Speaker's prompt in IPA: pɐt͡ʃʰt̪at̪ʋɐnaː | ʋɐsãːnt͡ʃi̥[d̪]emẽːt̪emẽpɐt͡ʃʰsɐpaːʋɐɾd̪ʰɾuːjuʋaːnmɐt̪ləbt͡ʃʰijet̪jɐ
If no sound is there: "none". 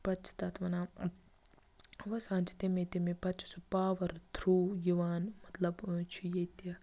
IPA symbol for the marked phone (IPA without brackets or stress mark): t̪